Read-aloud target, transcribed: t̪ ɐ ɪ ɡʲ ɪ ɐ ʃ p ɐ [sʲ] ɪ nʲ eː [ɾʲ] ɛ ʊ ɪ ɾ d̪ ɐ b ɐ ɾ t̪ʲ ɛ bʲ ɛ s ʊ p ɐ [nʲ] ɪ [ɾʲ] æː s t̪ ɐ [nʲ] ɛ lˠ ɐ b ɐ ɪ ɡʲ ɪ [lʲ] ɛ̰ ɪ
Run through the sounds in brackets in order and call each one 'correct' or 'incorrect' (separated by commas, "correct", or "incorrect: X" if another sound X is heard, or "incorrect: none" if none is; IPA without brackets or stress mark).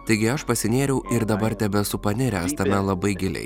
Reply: correct, correct, correct, correct, incorrect: mʲ, correct